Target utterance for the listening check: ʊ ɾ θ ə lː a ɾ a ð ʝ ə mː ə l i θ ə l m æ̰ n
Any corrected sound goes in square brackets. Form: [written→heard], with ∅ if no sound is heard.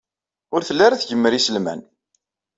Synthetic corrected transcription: ʊ ɾ θ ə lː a ɾ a [ð→θ] ʝ ə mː ə [l→ɾ] i [θ→s] ə l m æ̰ n